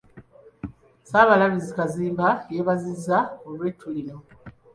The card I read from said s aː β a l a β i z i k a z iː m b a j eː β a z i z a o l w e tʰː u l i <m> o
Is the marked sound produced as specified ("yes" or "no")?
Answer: no